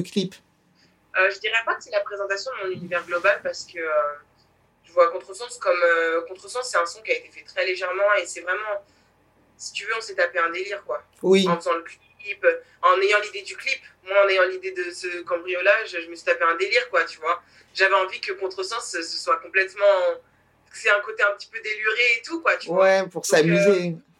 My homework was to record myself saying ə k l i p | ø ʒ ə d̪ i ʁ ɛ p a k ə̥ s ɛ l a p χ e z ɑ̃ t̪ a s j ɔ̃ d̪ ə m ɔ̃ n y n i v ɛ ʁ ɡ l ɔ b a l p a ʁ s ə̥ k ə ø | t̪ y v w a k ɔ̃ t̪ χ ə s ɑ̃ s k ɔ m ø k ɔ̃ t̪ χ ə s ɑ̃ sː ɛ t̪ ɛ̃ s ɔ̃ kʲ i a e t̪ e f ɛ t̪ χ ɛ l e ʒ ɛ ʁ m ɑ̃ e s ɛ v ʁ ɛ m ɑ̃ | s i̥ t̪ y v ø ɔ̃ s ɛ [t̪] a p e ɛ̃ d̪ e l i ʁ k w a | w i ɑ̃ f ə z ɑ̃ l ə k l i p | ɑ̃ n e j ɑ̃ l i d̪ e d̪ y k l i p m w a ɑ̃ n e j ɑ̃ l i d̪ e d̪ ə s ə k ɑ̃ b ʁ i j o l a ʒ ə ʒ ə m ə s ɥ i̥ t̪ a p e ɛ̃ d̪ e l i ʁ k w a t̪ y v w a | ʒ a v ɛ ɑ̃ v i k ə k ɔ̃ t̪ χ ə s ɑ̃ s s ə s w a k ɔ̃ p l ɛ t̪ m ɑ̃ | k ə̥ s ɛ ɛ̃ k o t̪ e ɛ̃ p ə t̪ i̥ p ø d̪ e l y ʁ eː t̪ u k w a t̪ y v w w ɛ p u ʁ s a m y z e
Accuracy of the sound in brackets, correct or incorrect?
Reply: correct